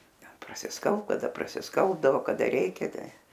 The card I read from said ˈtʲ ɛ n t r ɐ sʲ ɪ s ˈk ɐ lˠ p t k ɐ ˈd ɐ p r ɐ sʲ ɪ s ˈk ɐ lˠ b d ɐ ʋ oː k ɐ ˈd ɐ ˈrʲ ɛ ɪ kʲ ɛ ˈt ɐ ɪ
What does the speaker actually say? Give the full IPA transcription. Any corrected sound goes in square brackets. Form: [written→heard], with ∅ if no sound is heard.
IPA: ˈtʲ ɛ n [t→p] r ɐ sʲ ɪ s ˈk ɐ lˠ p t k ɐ ˈd ɐ p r ɐ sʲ ɪ s ˈk ɐ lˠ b d ɐ ʋ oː k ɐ ˈd ɐ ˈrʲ ɛ ɪ kʲ ɛ ˈt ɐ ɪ